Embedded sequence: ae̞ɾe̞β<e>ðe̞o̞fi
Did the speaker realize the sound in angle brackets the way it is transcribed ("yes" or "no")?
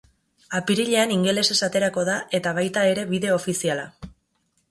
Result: no